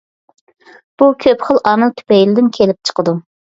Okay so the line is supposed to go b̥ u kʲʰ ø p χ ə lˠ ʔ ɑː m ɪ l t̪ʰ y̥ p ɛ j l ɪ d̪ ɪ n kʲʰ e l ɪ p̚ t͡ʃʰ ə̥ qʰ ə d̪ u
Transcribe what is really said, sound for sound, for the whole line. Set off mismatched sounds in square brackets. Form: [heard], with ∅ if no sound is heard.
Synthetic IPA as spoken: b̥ u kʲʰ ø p χ ə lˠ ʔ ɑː m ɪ l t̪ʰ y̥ p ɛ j l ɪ d̪ ɪ n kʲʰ e l ɪ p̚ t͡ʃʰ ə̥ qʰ ə d̪ u